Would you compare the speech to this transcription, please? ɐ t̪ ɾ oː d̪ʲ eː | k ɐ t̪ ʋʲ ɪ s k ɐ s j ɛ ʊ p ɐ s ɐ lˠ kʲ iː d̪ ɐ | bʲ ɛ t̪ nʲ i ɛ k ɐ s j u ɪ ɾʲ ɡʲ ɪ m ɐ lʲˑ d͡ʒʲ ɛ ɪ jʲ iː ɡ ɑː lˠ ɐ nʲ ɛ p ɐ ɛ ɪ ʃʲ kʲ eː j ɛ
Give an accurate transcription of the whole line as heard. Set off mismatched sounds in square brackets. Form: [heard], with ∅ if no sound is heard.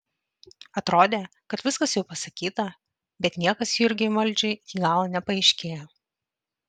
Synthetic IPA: ɐ t̪ ɾ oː d̪ʲ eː | k ɐ t̪ ʋʲ ɪ s k ɐ s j ɛ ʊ p ɐ s ɐ [∅] kʲ iː [t̪] ɐ | bʲ ɛ t̪ nʲ i ɛ k ɐ s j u ɪ ɾʲ ɡʲ ɪ m ɐ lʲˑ d͡ʒʲ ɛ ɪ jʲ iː ɡ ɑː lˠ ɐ nʲ ɛ p ɐ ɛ ɪ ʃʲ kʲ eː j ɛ

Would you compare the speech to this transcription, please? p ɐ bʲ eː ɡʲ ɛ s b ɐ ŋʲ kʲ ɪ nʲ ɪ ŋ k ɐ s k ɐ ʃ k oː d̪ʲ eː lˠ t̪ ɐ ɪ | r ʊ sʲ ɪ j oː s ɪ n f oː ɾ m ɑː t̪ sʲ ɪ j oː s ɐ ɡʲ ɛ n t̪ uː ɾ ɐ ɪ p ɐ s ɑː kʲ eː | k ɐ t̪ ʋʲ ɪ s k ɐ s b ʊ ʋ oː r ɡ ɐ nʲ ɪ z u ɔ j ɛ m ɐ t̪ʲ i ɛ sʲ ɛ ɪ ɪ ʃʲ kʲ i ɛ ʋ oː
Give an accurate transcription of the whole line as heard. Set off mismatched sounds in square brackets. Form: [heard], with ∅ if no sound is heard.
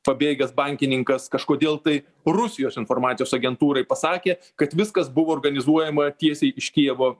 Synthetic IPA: p ɐ bʲ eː ɡʲ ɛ s b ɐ ŋʲ kʲ ɪ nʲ ɪ ŋ k ɐ s k ɐ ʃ k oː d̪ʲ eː lˠ t̪ ɐ ɪ | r ʊ sʲ ɪ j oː s ɪ n f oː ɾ m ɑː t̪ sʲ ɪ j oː s ɐ ɡʲ ɛ n t̪ uː ɾ ɐ ɪ p ɐ s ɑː kʲ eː | k ɐ t̪ ʋʲ ɪ s k ɐ s b ʊ ʋ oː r ɡ ɐ nʲ ɪ z u ɔ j ɛ m ɐ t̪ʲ i ɛ sʲ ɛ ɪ ɪ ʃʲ kʲ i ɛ ʋ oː

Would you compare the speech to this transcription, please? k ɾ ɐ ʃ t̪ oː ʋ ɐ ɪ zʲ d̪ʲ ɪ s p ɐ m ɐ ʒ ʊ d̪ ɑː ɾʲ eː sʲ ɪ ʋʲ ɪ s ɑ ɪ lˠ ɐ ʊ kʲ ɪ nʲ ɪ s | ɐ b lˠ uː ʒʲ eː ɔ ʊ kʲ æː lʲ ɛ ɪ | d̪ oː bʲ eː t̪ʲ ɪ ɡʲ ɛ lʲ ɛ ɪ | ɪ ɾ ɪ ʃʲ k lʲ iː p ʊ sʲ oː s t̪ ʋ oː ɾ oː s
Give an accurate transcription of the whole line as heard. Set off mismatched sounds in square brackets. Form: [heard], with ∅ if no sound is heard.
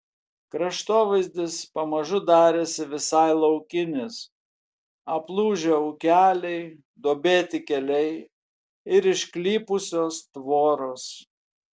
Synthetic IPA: k ɾ ɐ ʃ t̪ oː ʋ ɐ ɪ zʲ d̪ʲ ɪ s p ɐ m ɐ ʒ ʊ d̪ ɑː ɾʲ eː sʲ ɪ ʋʲ ɪ s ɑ ɪ lˠ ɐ ʊ kʲ ɪ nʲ ɪ s | ɐ [p] lˠ uː ʒʲ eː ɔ ʊ kʲ æː lʲ ɛ ɪ | d̪ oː bʲ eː t̪ʲ ɪ [kʲ] ɛ lʲ ɛ ɪ | ɪ ɾ ɪ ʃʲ k lʲ iː p ʊ sʲ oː s t̪ ʋ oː ɾ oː s

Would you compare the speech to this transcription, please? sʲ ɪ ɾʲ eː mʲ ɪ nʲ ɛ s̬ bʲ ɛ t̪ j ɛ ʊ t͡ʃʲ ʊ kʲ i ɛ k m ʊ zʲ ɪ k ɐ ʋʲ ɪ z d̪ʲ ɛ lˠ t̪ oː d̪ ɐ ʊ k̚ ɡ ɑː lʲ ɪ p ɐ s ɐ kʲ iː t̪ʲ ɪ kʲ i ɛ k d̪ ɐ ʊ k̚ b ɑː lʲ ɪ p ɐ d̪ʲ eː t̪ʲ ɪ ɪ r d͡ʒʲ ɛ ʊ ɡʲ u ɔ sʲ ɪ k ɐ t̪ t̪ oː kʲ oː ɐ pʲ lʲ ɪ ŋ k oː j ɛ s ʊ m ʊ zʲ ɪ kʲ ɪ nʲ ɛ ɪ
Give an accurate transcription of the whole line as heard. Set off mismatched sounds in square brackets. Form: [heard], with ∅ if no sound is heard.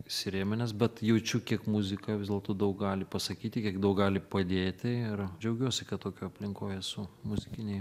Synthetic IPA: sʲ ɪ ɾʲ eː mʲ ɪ nʲ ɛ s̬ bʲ ɛ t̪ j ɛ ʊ t͡ʃʲ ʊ kʲ i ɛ k m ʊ zʲ ɪ k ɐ ʋʲ ɪ z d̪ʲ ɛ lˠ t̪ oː d̪ ɐ ʊ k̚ ɡ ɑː lʲ ɪ p ɐ s ɐ kʲ iː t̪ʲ ɪ kʲ i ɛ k d̪ ɐ ʊ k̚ [ɡ] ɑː lʲ ɪ p ɐ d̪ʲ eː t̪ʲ ɪ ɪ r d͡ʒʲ ɛ ʊ ɡʲ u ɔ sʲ ɪ k ɐ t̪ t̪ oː kʲ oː ɐ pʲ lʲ ɪ ŋ k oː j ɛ s ʊ m ʊ zʲ ɪ kʲ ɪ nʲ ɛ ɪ

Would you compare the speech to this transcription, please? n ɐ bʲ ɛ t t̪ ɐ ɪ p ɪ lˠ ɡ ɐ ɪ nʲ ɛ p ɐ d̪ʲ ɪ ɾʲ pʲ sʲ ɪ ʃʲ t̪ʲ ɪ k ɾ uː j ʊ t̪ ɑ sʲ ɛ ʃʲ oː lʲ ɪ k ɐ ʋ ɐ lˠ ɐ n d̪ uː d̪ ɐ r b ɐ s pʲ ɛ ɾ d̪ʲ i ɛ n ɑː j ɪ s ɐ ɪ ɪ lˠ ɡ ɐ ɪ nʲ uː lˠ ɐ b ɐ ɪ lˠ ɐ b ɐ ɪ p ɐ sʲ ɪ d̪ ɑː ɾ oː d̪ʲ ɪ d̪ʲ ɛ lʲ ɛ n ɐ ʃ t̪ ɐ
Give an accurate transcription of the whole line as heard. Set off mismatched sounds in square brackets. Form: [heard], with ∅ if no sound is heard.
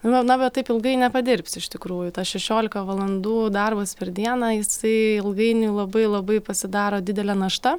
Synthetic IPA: n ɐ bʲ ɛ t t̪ ɐ ɪ p ɪ lˠ ɡ ɐ ɪ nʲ ɛ p ɐ d̪ʲ ɪ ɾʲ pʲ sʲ ɪ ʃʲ t̪ʲ ɪ k ɾ uː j ʊ t̪ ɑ [ʃʲ] ɛ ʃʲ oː lʲ ɪ k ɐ ʋ ɐ lˠ ɐ n d̪ uː d̪ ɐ r b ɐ s pʲ ɛ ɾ d̪ʲ i ɛ n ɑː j ɪ s ɐ ɪ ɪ lˠ ɡ ɐ ɪ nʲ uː lˠ ɐ b ɐ ɪ lˠ ɐ b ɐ ɪ p ɐ sʲ ɪ d̪ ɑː ɾ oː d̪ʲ ɪ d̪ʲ ɛ lʲ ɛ n ɐ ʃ t̪ ɐ

